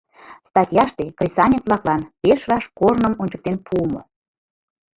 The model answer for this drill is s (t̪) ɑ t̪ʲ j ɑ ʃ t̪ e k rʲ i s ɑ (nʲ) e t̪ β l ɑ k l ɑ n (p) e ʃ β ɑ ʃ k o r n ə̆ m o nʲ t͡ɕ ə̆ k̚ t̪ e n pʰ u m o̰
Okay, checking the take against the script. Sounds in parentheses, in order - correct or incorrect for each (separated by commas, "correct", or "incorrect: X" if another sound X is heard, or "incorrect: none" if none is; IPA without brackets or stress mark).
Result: correct, correct, correct